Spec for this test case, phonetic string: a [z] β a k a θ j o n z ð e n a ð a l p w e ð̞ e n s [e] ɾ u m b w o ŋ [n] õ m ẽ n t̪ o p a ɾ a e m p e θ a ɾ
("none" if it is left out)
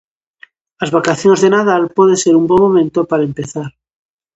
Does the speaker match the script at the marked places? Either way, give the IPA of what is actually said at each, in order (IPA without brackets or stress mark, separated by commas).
z, e, m